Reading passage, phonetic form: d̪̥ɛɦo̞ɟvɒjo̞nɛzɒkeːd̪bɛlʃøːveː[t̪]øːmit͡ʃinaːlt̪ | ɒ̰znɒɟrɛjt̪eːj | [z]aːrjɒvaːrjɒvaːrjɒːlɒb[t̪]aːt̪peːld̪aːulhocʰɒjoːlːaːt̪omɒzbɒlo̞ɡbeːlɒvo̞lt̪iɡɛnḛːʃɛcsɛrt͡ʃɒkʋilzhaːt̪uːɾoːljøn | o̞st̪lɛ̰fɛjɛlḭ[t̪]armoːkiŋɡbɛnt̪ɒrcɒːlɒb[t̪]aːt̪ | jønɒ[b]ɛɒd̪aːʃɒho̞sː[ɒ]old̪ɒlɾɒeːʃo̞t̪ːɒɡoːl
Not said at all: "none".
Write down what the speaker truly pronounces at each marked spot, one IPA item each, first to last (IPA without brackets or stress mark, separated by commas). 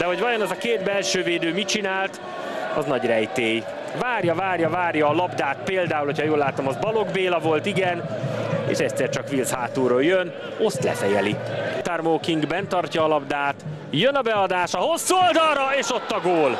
d̪, v, d̪, t̪, d̪, b, u